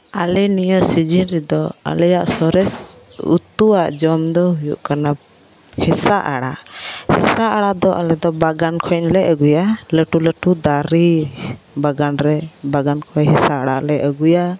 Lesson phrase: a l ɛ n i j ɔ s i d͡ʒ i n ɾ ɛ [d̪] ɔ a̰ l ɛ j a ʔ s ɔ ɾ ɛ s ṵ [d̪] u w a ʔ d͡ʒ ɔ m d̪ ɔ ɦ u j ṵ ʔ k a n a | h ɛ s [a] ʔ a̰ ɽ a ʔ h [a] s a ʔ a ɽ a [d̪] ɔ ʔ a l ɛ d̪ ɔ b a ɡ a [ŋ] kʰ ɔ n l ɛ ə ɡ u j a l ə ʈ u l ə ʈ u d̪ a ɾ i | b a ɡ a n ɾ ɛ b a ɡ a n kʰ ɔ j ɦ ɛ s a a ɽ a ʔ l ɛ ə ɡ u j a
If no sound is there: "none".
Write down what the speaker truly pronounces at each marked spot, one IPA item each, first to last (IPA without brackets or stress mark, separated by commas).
d̪, t̪, a, ɛ, d̪, n